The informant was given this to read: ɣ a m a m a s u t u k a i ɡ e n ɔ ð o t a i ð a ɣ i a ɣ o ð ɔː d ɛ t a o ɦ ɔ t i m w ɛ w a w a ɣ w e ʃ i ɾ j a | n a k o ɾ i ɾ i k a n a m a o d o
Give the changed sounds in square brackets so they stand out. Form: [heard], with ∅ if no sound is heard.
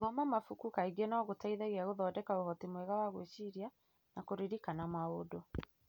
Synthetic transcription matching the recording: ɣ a m a m a [f] u [k] u k a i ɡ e n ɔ [ɣ] o t a i ð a ɣ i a ɣ o ð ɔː d ɛ [k] a o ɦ ɔ t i m w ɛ [ɣ] a w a ɣ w e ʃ i ɾ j a | n a k o ɾ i ɾ i k a n a m a o d o